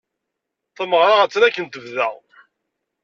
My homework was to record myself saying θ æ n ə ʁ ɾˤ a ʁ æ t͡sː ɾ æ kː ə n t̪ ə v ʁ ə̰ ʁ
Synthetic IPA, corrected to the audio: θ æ m ə ʁ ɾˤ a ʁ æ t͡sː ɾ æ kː ə n t̪ ə v ð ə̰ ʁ